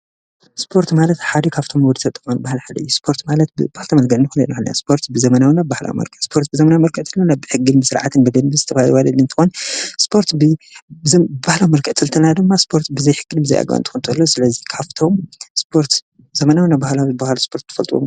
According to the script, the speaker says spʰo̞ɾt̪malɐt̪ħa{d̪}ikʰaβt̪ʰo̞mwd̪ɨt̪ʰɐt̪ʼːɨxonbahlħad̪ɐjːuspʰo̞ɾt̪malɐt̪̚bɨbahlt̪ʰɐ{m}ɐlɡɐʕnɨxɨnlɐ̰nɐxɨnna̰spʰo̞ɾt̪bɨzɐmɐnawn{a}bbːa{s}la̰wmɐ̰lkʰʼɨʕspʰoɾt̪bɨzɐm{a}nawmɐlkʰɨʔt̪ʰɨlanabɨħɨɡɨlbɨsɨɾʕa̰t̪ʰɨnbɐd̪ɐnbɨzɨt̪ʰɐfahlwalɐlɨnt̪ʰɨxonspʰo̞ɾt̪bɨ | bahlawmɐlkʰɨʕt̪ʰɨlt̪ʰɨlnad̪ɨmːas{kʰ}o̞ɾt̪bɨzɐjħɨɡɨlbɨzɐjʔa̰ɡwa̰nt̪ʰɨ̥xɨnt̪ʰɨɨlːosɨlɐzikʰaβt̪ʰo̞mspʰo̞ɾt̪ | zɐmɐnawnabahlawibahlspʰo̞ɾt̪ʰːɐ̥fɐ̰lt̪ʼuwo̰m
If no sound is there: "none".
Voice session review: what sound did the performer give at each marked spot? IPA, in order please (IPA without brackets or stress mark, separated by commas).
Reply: d̪, m, a, h, ɐ, pʰ